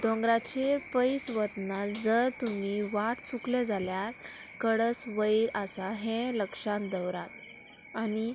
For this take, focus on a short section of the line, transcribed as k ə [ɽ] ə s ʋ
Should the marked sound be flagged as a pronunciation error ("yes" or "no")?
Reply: no